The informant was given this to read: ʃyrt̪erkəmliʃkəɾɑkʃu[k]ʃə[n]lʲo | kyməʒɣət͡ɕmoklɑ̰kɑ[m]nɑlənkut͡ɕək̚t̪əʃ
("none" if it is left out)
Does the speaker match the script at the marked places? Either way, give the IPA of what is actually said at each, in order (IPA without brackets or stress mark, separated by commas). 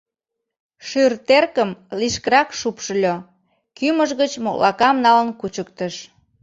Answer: p, none, m